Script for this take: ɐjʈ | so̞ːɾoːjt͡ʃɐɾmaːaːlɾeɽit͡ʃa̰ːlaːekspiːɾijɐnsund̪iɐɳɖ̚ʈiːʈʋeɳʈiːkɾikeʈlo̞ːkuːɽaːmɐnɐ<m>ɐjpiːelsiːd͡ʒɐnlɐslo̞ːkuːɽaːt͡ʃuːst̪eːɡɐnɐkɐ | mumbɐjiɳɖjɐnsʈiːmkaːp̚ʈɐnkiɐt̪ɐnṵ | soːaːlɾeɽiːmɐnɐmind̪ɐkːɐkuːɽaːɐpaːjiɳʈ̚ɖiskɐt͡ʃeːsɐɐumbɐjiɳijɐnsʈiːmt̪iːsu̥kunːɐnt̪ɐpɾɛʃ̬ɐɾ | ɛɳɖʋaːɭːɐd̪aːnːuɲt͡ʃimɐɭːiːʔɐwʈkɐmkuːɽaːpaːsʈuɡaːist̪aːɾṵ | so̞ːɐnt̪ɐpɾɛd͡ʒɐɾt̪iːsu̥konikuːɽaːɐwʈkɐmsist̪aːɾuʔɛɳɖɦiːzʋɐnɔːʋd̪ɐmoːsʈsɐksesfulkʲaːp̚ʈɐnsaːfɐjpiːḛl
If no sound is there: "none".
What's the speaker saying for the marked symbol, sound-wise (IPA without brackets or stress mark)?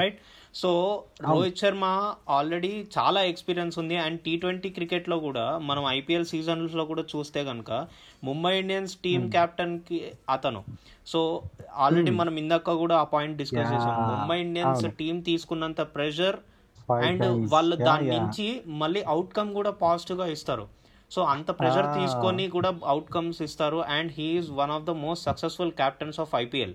m